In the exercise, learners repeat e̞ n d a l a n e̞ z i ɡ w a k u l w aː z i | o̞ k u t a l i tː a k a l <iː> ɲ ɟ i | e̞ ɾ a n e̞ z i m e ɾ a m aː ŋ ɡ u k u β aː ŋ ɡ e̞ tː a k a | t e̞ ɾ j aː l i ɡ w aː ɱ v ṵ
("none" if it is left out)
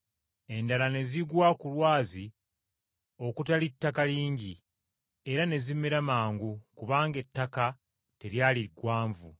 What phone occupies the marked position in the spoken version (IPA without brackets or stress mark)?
iː